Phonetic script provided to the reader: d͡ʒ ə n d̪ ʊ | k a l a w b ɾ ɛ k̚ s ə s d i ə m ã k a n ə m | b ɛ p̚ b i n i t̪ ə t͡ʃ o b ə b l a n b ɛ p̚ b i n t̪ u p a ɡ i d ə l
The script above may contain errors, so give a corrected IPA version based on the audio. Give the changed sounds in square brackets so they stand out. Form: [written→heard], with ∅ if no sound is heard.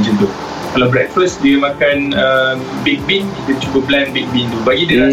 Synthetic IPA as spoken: d͡ʒ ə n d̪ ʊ | k a l a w b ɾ ɛ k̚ [s→f] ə s d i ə m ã k a n ə m | b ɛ [p̚→k̚] b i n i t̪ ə t͡ʃ [o→u] b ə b l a n b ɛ [p̚→k̚] b i n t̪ u [p→b] a ɡ i d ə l